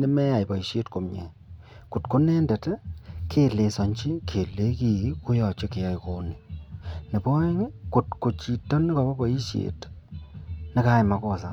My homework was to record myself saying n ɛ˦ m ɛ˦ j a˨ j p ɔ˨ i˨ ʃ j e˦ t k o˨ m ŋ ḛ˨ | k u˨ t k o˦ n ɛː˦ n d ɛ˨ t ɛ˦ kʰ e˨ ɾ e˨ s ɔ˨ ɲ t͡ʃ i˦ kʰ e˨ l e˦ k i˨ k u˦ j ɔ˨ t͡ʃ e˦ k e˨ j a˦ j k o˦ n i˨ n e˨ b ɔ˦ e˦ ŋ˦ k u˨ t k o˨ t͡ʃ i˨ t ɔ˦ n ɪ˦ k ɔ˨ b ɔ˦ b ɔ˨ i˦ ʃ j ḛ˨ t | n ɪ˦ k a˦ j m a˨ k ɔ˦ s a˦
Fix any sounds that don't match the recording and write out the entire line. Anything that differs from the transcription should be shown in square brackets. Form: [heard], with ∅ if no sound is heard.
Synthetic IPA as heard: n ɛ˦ m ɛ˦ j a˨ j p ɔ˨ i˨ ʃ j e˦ t k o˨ m [ɲ] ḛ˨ | k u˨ t k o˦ n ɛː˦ n d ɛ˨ t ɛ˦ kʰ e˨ [l] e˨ s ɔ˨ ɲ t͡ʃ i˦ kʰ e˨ l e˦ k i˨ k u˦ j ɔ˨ t͡ʃ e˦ k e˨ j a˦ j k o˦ n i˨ n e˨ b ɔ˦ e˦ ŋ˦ k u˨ t k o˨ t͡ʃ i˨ t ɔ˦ n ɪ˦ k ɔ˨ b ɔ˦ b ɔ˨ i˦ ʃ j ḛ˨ t | n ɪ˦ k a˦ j m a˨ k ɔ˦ s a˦